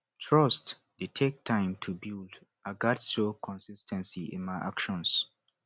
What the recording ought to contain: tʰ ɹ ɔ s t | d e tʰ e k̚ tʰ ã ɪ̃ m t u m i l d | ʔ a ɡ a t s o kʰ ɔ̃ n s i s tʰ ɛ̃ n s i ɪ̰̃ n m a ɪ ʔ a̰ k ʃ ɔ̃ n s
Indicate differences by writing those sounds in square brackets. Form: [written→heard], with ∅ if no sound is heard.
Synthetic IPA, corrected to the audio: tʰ ɹ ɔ s t | d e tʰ e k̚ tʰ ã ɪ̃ m [t→tʰ] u [m→b] i l d | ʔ a ɡ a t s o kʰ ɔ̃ n s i s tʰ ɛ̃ n s i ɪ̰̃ n m a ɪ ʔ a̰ k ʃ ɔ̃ n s